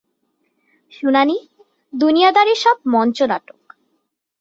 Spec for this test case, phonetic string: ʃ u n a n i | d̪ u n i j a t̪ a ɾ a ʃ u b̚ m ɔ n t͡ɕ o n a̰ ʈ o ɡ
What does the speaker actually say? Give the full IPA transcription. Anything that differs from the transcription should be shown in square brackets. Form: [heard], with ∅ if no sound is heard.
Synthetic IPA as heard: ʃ u n a n i | d̪ u n i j a [d̪] a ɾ [e] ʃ [ɔ] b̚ m ɔ n t͡ɕ o n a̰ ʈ o [k]